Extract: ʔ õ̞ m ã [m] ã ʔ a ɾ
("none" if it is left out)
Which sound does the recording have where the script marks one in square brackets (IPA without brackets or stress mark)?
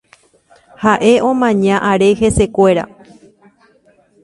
ɲ